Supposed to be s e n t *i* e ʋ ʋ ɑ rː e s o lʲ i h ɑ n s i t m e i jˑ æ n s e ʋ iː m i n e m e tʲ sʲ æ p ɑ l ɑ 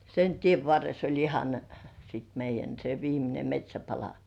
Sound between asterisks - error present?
no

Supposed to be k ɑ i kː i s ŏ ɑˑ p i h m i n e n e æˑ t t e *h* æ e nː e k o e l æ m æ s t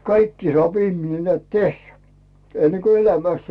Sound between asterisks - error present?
yes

